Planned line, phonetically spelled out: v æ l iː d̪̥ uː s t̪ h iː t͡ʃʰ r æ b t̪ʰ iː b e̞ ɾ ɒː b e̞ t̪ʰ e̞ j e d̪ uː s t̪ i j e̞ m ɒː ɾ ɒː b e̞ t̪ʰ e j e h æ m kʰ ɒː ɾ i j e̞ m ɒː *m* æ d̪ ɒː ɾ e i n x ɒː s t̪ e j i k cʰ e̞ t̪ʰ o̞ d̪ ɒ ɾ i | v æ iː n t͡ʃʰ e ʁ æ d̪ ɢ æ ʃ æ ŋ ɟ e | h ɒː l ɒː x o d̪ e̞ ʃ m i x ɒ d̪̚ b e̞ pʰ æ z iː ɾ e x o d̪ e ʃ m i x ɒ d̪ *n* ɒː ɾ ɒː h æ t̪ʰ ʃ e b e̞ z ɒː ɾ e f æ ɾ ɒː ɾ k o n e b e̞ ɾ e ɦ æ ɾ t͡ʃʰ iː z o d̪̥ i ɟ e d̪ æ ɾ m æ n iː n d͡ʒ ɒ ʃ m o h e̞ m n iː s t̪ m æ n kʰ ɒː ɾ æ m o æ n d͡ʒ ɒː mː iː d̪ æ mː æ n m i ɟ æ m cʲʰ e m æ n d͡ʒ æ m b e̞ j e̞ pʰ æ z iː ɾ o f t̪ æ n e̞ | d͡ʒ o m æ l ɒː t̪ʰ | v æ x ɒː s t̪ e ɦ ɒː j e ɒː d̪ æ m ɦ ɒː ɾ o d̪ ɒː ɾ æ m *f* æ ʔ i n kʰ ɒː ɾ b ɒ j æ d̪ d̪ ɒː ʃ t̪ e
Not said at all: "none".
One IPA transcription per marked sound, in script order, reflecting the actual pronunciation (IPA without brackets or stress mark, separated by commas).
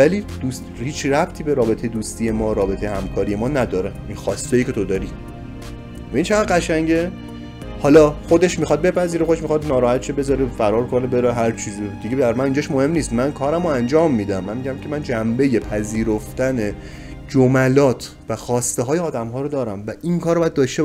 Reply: n, n, v